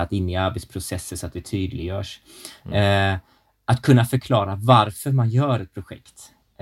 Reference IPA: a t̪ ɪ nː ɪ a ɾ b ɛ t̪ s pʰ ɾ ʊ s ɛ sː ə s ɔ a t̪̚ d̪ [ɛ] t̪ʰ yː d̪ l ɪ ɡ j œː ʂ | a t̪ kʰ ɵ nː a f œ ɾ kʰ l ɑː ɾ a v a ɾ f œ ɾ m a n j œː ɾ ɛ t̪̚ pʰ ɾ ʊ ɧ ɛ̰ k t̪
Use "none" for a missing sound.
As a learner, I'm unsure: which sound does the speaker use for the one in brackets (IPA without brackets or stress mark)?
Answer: ɛ